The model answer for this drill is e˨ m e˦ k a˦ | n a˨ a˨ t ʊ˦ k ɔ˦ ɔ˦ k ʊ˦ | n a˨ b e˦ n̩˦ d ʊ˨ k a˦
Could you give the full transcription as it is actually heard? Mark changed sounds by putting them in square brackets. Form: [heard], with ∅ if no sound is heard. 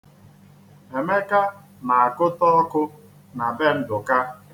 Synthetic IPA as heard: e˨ m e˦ k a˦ | n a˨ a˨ [k] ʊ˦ [t] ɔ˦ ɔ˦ k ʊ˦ | n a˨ b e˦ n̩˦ d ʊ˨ k a˦